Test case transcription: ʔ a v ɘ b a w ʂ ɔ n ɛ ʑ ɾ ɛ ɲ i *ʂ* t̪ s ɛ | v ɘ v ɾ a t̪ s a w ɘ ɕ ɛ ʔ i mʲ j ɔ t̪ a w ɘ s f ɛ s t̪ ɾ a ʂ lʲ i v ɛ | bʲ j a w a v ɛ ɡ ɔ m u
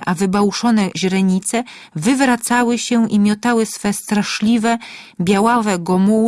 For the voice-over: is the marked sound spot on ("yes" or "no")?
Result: no